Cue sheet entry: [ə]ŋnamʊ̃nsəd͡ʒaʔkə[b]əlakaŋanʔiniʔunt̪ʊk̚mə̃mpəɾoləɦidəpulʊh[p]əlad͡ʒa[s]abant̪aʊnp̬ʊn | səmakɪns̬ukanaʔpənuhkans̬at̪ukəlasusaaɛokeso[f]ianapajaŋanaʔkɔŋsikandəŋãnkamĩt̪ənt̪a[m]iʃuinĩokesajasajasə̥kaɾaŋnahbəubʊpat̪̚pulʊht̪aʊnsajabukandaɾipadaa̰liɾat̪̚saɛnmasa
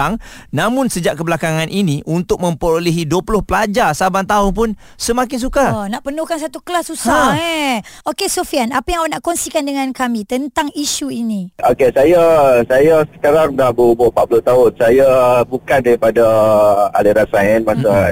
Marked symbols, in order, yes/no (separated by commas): no, yes, yes, yes, yes, no